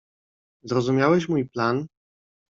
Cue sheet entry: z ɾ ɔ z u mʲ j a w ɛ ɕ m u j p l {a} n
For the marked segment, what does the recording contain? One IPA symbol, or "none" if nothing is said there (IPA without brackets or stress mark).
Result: a